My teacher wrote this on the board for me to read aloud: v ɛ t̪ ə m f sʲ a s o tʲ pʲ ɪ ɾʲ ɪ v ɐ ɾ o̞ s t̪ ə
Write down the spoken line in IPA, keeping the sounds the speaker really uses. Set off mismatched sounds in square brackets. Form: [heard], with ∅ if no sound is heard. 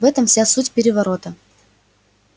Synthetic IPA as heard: v ɛ t̪ ə m f sʲ a s [u] tʲ pʲ ɪ ɾʲ ɪ v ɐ ɾ o̞ [∅] t̪ ə